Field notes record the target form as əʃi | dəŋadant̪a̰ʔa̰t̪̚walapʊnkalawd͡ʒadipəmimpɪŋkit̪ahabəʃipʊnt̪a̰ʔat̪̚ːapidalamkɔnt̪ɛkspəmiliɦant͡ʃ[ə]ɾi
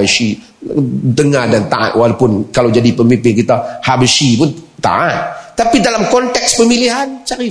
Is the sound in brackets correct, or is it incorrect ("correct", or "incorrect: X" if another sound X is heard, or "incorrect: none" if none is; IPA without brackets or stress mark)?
incorrect: a